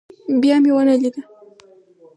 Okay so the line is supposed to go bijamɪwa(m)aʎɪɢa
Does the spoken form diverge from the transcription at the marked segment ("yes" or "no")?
yes